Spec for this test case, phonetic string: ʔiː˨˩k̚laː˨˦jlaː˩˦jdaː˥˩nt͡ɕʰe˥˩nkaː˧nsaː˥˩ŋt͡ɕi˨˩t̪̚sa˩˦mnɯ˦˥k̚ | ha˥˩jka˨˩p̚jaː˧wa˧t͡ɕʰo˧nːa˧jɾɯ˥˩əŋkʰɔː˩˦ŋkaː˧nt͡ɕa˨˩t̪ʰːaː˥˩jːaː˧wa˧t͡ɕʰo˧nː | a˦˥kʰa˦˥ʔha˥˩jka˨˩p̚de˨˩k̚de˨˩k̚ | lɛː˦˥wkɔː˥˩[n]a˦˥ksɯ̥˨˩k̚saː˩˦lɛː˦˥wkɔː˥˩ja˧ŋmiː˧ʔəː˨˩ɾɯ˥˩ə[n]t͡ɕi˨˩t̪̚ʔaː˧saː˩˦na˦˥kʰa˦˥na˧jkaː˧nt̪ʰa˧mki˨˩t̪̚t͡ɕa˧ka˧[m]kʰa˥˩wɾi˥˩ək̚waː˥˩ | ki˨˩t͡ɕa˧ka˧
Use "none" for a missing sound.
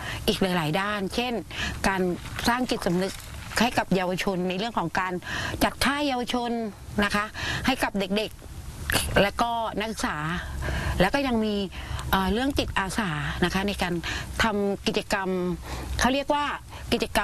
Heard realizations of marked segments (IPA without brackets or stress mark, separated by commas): n, ŋ, m